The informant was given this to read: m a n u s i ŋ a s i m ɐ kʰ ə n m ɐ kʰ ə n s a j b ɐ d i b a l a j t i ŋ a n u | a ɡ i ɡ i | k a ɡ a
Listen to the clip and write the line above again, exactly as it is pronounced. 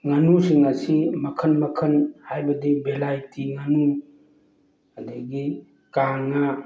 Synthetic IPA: ŋ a n u s i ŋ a s i m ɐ kʰ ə n m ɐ kʰ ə n h a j b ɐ d i b e l a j t i ŋ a n u | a d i ɡ i | k a ŋ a